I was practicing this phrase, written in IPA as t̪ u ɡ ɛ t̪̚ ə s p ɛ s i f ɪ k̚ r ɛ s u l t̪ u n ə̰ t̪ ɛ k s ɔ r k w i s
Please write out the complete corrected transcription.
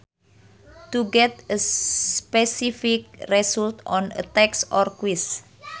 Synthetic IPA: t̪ u ɡ ɛ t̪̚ ə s p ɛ s i f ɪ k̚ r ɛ s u l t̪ ɔ n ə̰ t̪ ɛ k s ɔ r k w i s